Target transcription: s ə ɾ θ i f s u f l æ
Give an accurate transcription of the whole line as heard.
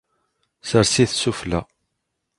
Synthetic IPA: s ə ɾ s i θ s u f l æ